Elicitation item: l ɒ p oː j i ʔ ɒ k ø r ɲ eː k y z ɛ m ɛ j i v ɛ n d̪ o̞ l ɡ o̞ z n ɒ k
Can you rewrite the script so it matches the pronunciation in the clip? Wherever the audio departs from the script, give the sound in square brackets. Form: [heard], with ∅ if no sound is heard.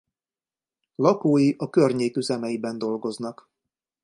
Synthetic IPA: l ɒ [k] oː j i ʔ ɒ k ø r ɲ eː k y z ɛ m ɛ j i [b] ɛ n d̪ o̞ l ɡ o̞ z n ɒ k